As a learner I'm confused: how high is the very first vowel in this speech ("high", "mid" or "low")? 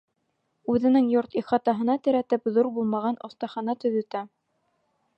high